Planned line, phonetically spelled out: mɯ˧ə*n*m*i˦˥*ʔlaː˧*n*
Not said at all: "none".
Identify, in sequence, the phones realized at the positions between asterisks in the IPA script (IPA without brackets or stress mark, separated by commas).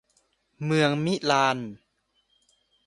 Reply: ŋ, i˦˥, n